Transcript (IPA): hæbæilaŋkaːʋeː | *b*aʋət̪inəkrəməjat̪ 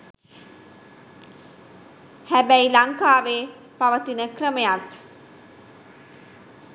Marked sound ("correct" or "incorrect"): incorrect